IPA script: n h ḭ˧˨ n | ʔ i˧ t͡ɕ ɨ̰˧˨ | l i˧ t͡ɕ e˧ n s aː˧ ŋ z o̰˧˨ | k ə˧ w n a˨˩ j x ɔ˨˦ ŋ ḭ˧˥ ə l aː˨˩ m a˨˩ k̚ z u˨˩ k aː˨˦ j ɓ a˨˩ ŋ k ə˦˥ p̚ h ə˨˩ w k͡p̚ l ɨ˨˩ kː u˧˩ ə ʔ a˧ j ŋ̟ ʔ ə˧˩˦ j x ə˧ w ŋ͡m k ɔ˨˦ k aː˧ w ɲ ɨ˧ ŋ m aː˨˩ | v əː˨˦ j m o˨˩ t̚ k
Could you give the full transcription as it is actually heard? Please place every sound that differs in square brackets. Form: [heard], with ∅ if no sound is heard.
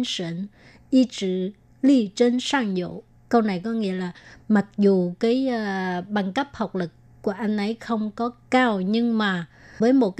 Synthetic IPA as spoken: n [s] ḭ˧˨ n | ʔ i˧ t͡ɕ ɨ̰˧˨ | l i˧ t͡ɕ e˧ n s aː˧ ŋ z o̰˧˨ | k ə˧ w n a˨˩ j [k] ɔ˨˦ ŋ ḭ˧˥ ə l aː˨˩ m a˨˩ k̚ z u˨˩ k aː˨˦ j ɓ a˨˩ ŋ k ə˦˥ p̚ h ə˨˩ w k͡p̚ l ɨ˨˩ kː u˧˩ ə ʔ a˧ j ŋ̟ ʔ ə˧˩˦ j x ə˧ w ŋ͡m k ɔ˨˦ k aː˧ w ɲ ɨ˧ ŋ m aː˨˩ | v əː˨˦ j m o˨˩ t̚ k